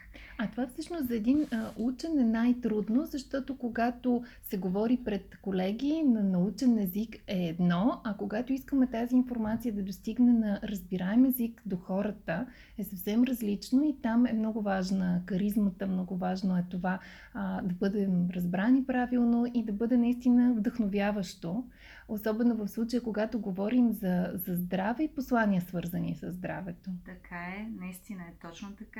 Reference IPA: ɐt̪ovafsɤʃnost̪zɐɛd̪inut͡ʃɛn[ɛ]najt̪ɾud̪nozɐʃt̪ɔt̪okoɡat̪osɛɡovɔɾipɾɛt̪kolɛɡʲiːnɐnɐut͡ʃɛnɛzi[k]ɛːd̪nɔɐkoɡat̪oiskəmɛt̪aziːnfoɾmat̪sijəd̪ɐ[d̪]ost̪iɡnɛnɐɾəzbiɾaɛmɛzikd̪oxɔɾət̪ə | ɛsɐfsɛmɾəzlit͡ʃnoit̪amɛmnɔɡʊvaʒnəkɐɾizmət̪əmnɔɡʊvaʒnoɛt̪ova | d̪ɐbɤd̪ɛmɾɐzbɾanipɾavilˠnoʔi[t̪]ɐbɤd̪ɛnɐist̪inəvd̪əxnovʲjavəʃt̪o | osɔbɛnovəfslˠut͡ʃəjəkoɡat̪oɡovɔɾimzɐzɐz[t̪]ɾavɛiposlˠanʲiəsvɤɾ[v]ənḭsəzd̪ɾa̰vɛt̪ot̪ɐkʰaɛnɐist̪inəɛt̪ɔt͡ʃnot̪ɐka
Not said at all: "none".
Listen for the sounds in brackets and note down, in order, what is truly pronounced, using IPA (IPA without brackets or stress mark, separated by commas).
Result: ɛ, k, d̪, d̪, d̪, z